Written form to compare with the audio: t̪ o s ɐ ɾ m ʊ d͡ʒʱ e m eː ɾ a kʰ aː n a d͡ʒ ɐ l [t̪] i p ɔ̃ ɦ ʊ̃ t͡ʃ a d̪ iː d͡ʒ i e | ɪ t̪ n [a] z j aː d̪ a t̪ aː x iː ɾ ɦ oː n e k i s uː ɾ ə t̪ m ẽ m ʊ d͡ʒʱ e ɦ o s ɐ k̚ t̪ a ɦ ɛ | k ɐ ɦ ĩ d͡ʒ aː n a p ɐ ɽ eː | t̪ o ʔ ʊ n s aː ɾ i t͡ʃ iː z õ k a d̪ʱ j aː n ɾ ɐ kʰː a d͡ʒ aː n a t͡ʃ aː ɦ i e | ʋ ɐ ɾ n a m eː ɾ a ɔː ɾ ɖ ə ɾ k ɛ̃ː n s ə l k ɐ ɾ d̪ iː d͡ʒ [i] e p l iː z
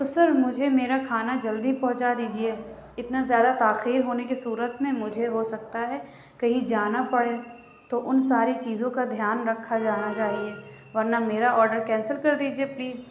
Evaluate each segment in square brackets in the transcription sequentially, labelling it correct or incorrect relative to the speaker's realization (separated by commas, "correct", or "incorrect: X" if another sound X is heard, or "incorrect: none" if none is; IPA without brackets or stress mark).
incorrect: d̪, correct, correct